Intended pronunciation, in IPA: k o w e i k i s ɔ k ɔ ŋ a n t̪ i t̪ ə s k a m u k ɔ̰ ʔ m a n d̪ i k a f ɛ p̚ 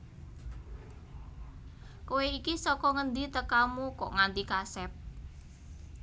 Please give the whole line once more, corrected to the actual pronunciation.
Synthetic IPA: k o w e i k i s ɔ k ɔ ŋ ə n d̪ i t̪ ə k a m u k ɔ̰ ʔ ŋ a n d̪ i k a s ɛ p̚

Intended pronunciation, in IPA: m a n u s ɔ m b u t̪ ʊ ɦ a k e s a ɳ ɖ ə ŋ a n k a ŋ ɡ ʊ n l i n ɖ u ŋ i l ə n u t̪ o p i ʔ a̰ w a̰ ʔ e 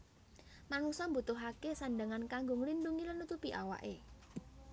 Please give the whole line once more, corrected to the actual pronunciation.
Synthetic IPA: m a n u s ɔ m b u t̪ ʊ ɦ a k e s a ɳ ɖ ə ŋ a n k a ŋ ɡ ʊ ŋ l i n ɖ u ŋ i l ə n u t̪ u p i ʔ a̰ w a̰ ʔ e

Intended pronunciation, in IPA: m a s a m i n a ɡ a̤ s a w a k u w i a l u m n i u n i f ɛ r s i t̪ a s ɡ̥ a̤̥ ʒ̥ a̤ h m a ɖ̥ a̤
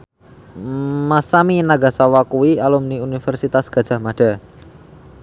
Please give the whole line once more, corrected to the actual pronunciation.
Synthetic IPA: m a s a m i n a ɡ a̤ s a w a k u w i a l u m n i u n i f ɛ r s i t̪ a s ɡ̥ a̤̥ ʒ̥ a̤ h m a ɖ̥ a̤

